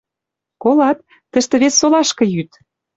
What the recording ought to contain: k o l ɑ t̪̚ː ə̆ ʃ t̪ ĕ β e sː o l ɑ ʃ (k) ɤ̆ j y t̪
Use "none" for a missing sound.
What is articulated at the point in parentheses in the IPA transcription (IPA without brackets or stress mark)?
k